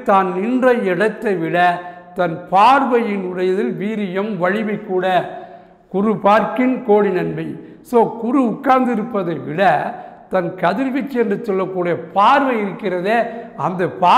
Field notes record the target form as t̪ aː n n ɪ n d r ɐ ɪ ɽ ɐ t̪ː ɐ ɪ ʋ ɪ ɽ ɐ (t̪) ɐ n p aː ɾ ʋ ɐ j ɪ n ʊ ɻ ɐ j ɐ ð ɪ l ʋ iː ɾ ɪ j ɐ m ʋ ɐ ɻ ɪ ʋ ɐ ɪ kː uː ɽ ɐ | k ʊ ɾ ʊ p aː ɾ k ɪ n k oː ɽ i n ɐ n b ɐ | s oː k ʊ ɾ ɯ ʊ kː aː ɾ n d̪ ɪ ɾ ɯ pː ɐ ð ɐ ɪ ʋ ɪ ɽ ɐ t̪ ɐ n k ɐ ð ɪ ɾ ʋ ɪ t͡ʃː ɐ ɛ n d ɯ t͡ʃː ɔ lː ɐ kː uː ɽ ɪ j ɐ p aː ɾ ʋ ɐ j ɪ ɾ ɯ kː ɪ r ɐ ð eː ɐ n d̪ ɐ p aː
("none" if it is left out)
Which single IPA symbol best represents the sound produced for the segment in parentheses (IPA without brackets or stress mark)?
t̪